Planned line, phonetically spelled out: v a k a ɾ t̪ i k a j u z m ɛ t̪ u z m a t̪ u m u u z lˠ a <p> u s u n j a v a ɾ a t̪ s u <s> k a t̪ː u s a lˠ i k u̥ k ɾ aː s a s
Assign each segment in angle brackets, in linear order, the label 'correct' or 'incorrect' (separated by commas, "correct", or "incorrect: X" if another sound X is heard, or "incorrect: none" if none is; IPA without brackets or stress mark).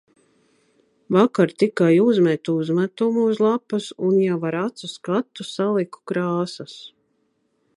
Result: correct, correct